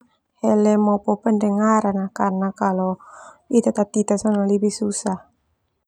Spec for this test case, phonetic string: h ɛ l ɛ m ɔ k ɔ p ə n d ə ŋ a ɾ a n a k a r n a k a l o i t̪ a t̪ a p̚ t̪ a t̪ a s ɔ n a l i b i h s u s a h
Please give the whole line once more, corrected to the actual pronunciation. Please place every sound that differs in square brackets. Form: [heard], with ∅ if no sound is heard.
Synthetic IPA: h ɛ l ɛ m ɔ [p] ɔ p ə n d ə ŋ a ɾ a n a k a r n a k a l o i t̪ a t̪ a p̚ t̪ [i] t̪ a s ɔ n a l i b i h s u s a h